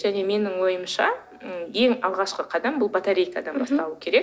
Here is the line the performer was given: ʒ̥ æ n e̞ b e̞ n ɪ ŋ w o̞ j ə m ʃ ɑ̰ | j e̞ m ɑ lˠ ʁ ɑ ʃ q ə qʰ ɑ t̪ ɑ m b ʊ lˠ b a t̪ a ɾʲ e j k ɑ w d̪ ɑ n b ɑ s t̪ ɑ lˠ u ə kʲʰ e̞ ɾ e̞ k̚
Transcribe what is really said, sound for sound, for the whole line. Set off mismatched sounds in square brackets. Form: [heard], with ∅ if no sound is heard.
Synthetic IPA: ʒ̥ æ n e̞ [m] e̞ n ɪ ŋ w o̞ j ə m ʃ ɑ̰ | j e̞ [ŋ] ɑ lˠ ʁ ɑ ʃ q ə qʰ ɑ [d̪] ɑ m b ʊ lˠ b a t̪ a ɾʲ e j k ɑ [∅] d̪ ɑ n b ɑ s t̪ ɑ lˠ u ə kʲʰ e̞ ɾ e̞ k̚